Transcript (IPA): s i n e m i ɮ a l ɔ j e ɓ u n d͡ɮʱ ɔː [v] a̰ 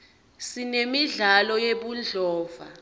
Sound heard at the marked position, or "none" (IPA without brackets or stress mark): v